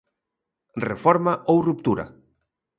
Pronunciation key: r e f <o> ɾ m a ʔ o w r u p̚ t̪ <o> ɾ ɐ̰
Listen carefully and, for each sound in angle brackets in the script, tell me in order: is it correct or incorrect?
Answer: incorrect, incorrect

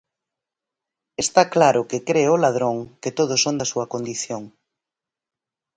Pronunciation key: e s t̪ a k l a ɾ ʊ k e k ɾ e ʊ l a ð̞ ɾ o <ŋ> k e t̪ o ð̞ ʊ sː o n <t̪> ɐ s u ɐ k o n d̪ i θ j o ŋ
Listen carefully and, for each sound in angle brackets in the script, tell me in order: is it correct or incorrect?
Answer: correct, incorrect

